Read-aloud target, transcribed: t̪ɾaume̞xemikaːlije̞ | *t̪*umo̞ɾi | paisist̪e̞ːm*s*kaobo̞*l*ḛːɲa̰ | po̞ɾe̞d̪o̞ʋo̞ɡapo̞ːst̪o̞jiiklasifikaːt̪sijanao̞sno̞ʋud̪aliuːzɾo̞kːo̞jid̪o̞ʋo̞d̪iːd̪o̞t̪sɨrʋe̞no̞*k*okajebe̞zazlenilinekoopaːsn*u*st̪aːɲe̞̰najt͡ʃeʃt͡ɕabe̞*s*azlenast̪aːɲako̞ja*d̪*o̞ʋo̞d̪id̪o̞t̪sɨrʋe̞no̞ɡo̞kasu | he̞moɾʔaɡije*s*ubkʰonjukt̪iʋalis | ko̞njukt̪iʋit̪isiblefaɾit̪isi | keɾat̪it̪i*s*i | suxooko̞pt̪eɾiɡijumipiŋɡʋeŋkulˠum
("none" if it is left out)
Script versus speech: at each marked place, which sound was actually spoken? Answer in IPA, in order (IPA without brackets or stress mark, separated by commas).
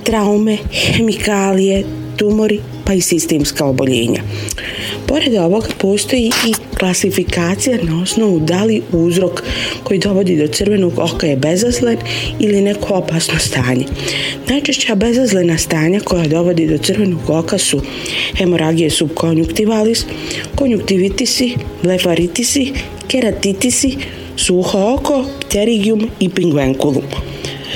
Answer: t̪, s, ʎ, ɡ, o, z, d̪, s, s